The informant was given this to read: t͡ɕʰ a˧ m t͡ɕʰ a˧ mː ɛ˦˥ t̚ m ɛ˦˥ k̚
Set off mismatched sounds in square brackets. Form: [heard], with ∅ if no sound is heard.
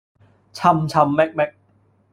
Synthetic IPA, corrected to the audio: t͡ɕʰ a˧ m t͡ɕʰ a˧ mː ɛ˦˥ [k̚] m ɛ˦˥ k̚